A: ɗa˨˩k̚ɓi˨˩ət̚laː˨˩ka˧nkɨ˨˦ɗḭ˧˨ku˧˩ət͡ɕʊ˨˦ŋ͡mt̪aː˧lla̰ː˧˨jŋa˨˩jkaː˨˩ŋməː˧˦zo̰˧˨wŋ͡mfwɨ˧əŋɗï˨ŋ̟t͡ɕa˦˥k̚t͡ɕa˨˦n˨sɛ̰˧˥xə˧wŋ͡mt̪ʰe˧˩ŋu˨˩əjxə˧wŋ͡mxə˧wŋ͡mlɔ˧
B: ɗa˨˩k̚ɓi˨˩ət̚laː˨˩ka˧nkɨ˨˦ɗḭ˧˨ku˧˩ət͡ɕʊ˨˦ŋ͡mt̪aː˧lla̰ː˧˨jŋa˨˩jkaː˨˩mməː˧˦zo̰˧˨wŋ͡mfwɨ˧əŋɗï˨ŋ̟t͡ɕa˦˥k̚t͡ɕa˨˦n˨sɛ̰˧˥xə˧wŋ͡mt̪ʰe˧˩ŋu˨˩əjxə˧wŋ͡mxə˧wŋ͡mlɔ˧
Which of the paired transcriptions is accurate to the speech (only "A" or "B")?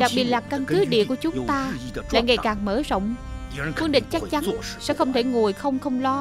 A